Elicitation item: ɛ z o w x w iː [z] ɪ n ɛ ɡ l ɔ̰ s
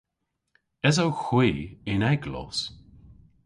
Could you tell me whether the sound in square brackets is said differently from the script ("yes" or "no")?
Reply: yes